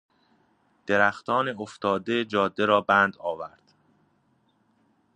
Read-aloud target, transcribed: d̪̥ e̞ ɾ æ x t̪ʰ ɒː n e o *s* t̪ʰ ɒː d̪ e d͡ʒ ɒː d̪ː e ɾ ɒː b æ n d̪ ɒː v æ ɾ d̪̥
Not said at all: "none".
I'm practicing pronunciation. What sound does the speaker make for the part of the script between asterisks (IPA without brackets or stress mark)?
f